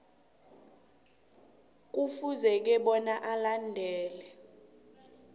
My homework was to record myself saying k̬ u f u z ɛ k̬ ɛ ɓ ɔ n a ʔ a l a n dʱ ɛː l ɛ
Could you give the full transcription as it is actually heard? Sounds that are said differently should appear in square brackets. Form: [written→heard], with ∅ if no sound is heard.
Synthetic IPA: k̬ u f u z ɛ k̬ ɛ ɓ ɔ n a ʔ a l a n dʱ ɛː l ɛ